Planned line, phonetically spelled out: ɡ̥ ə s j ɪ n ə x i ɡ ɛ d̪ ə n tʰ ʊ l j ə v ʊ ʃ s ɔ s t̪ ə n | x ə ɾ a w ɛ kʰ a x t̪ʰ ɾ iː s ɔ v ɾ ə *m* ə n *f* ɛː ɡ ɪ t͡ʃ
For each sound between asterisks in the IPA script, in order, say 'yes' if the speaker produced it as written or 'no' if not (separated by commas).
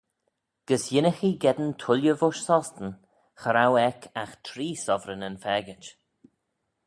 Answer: no, yes